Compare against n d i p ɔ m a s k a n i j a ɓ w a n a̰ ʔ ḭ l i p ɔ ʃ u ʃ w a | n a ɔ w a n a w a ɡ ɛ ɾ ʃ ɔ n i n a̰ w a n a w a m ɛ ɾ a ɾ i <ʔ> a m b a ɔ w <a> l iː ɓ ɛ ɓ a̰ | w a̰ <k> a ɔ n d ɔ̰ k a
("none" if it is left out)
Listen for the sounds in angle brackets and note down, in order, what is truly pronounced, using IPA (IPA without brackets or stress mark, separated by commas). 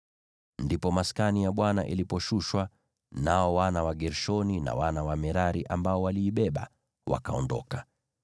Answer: ʔ, a, k